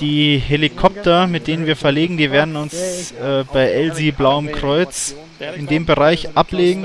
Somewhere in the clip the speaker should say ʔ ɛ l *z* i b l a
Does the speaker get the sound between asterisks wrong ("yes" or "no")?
no